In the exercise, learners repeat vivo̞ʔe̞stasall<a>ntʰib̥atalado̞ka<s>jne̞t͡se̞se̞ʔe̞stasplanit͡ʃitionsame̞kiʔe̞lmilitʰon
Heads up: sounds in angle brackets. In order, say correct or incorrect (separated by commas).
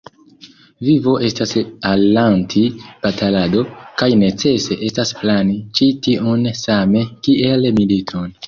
correct, incorrect